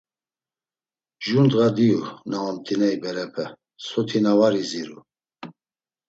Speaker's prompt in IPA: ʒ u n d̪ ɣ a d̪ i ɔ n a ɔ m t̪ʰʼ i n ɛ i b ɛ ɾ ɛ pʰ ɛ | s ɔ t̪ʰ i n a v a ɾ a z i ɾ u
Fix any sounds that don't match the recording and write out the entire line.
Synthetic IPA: ʒ u n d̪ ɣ a d̪ i u n a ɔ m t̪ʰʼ i n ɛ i b ɛ ɾ ɛ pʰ ɛ | s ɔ t̪ʰ i n a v a ɾ i z i ɾ u